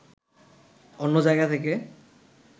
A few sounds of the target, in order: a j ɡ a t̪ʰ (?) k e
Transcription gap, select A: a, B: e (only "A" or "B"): B